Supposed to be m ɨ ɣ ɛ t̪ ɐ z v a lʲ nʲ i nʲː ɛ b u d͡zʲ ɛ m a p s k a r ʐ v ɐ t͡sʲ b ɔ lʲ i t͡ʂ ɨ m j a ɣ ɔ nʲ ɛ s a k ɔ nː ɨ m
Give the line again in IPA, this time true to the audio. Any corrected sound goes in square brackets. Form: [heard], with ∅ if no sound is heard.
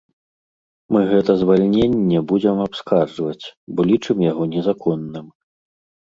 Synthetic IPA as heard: m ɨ ɣ ɛ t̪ ɐ z v a lʲ nʲ [e] nʲː ɛ b u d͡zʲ ɛ m a p s k a r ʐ v ɐ t͡sʲ b ɔ lʲ i t͡ʂ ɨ m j a ɣ ɔ nʲ ɛ [z] a k ɔ nː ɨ m